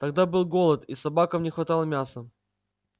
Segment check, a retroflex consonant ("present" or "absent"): absent